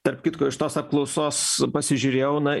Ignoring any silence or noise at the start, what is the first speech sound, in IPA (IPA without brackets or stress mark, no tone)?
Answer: t̪